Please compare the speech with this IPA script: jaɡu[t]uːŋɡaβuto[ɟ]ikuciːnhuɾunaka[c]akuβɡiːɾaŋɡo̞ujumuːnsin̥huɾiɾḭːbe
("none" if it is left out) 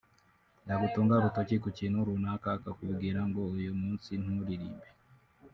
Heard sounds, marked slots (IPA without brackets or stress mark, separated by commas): t, c, k